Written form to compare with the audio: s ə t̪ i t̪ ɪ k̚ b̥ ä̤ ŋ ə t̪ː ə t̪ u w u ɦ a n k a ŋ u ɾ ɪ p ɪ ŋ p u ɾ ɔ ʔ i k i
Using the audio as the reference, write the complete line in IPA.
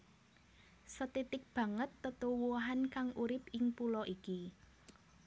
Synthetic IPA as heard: s ə t̪ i t̪ ɪ k̚ b̥ ä̤ ŋ ə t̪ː ə t̪ u w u ɦ a n k a ŋ u ɾ ɪ p ɪ ŋ p u l ɔ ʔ i k i